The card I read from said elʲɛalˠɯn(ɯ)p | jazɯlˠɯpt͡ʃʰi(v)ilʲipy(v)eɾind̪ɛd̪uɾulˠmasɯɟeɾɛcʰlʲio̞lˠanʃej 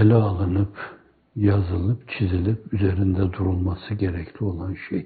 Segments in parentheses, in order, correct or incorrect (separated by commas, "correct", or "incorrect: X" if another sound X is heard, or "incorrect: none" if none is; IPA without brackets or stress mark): correct, incorrect: z, incorrect: z